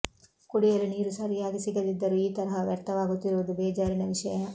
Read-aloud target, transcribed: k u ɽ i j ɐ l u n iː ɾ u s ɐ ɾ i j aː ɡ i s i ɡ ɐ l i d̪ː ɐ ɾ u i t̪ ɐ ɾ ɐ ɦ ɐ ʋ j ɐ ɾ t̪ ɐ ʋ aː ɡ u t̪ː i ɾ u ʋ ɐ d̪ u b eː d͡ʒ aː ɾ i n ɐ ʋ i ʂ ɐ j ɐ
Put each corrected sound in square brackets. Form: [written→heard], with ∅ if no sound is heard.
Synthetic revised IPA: k u ɽ i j ɐ l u n iː ɾ u s ɐ ɾ i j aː ɡ i s i ɡ ɐ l i d̪ː ɐ ɾ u [i→iː] t̪ ɐ ɾ ɐ ɦ ɐ ʋ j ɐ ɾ t̪ ɐ ʋ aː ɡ u t̪ː i ɾ u ʋ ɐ d̪ u b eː d͡ʒ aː ɾ i n ɐ ʋ i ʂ ɐ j ɐ